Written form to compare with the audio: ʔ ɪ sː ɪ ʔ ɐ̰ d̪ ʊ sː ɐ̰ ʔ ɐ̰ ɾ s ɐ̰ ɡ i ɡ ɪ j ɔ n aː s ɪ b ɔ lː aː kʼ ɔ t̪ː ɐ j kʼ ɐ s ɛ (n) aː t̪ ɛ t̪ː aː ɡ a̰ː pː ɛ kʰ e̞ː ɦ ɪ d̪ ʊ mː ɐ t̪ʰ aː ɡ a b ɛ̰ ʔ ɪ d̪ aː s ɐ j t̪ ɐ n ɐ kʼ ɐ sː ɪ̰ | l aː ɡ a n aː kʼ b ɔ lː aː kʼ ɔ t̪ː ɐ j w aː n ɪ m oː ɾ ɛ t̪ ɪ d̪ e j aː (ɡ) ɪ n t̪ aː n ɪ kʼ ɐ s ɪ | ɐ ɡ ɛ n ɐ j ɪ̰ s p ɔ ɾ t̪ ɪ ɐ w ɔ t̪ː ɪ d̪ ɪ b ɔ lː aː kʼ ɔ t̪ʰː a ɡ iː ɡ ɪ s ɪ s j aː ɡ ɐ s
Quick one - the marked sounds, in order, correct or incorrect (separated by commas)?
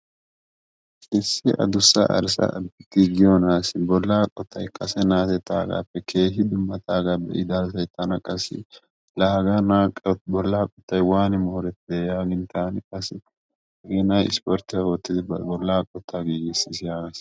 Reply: correct, correct